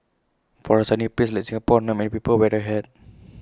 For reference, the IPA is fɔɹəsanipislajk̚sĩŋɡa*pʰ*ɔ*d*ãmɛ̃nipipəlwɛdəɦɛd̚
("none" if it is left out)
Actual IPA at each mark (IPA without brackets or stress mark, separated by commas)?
p, n